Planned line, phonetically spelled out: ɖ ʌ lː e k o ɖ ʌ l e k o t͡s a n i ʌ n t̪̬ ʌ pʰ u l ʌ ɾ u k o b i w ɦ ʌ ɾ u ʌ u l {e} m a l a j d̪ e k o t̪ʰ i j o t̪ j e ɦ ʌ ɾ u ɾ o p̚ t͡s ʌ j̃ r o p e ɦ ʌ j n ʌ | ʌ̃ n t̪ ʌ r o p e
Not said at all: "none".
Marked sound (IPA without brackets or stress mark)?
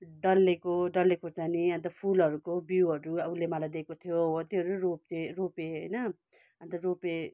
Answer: e